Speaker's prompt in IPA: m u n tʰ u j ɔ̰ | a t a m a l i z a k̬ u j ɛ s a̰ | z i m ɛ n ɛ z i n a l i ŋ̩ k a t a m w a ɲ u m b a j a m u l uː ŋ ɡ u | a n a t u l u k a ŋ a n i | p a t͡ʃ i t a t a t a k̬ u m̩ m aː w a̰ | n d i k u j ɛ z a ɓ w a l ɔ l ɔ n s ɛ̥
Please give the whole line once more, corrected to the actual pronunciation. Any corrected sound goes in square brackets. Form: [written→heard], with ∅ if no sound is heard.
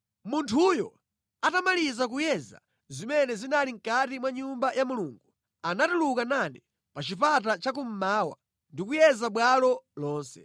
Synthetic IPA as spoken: m u n tʰ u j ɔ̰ | a t a m a l i z a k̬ u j ɛ [s→z] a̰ | z i m ɛ n ɛ z i n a l i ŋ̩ k a t [a→i] m w a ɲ u m b a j a m u l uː ŋ ɡ u | a n a t u l u k a [ŋ→n] a n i | p a t͡ʃ i [t→p] a t a [t→t͡ʃ] a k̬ u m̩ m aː w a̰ | n d i k u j ɛ z a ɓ w a l ɔ l [ɔ→ɔː] n s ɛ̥